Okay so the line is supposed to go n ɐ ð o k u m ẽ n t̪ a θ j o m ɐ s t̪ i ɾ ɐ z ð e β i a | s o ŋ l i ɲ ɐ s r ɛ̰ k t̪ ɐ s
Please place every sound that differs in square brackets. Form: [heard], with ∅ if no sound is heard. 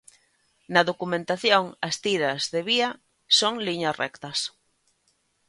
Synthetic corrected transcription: n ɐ ð o k u m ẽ n t̪ a θ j o [ŋ] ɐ s t̪ i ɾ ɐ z ð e β i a | s o ŋ l i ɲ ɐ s r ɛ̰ k t̪ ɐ s